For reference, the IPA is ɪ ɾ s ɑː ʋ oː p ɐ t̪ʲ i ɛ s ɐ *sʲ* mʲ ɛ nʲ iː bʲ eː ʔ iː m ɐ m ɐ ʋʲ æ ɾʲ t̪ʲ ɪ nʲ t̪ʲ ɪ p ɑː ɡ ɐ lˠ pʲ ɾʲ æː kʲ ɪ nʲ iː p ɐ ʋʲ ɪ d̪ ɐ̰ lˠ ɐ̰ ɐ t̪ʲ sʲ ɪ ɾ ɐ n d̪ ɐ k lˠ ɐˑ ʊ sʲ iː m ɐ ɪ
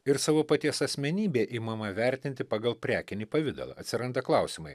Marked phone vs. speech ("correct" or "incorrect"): correct